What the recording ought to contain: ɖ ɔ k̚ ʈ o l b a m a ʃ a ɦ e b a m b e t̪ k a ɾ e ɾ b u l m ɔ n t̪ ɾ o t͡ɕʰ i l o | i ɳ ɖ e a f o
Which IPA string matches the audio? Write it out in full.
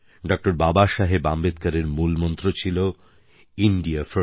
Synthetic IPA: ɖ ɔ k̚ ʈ o ɾ b a b a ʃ a ɦ e b a m b e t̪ k a ɾ e ɾ m u l m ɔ n t̪ ɾ o t͡ɕʰ i l o | i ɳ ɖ i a f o